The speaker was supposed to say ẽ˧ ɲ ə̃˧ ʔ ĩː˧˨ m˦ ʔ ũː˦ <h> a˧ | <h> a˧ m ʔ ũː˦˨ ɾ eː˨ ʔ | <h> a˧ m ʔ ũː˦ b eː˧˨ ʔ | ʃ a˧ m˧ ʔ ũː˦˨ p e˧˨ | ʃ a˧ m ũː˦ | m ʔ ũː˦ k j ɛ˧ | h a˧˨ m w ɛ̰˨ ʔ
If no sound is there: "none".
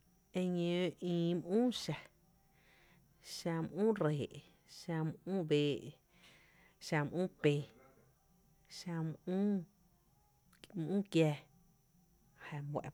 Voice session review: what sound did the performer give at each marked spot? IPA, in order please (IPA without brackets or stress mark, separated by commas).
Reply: ʃ, ʃ, ʃ